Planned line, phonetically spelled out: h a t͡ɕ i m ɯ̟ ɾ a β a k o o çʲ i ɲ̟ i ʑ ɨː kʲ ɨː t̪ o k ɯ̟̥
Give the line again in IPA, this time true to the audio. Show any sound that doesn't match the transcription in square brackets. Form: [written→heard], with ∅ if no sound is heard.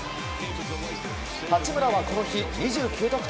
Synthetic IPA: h a t͡ɕ i m ɯ̟ ɾ a β a k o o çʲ i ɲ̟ i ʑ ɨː kʲ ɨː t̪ o k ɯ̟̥